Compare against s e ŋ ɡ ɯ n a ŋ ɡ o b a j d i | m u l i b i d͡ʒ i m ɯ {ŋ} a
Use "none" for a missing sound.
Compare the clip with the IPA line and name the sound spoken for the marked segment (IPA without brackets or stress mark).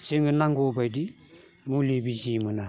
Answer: n